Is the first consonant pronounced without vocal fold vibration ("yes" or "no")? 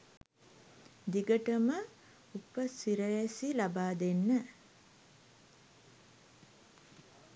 no